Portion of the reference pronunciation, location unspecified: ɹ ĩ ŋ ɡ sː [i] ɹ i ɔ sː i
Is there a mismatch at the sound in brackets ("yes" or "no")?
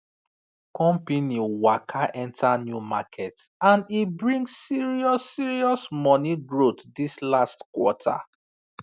no